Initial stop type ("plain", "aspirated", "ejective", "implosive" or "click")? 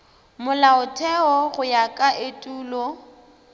aspirated